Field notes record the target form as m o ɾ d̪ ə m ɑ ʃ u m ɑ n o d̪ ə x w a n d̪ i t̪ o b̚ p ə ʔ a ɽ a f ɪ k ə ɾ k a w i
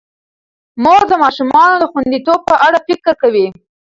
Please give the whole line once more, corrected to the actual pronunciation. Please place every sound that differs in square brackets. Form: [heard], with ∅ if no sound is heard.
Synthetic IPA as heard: m o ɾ d̪ ə m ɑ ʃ u m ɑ n o d̪ ə x w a n d̪ i t̪ o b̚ p ə ʔ a ɽ a f ɪ k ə ɾ k a w i